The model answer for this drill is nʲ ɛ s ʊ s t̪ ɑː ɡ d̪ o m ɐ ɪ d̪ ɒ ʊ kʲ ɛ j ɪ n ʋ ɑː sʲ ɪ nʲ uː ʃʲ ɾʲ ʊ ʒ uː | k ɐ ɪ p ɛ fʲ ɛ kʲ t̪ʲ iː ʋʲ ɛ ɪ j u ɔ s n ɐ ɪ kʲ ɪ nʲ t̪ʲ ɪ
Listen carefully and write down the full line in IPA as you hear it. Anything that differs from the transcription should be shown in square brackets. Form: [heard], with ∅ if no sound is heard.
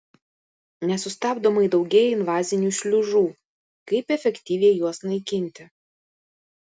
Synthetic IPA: nʲ ɛ s ʊ s t̪ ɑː [b] d̪ o m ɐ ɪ d̪ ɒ ʊ [ɡʲ] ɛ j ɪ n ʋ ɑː [zʲ] ɪ nʲ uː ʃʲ [lʲ] ʊ ʒ uː | k ɐ ɪ p ɛ fʲ ɛ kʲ t̪ʲ iː ʋʲ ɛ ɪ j u ɔ s n ɐ ɪ kʲ ɪ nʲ t̪ʲ ɪ